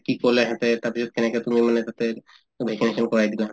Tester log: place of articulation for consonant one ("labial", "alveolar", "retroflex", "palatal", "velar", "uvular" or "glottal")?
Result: velar